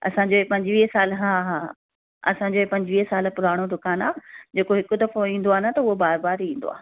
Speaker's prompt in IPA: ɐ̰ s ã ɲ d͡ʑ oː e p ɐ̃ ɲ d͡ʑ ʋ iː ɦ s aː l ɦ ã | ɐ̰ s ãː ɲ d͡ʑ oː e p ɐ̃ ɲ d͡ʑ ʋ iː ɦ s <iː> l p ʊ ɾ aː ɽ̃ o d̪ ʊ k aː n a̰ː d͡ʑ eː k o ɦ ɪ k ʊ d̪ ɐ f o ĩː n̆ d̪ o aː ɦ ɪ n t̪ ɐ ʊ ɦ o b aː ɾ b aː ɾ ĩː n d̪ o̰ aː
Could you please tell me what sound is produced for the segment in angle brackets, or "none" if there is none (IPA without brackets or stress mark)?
aː